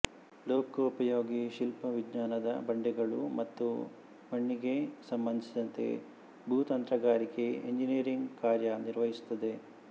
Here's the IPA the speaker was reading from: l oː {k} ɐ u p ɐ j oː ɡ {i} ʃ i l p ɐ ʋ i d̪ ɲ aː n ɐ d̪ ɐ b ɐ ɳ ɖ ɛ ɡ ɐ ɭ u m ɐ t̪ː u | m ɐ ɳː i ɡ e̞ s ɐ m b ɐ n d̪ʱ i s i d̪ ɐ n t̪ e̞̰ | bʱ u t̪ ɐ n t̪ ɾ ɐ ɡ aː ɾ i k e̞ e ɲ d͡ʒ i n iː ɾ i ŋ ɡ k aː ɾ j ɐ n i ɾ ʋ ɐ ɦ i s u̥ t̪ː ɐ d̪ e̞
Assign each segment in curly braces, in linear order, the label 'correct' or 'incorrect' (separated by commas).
correct, correct